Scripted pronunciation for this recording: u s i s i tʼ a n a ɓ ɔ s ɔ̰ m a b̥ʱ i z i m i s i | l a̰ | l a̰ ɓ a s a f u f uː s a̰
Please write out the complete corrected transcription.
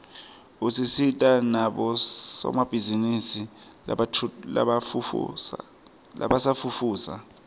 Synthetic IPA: u s i s i tʼ a n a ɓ ɔ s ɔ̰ m a b̥ʱ i z i n i s i | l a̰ | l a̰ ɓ a s a f u f uː s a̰